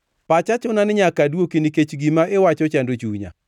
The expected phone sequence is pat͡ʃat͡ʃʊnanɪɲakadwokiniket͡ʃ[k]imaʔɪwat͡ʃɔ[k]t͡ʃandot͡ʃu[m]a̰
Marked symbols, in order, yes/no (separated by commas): no, no, no